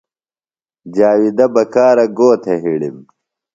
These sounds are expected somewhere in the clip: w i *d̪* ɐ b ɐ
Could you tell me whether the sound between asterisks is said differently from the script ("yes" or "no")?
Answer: no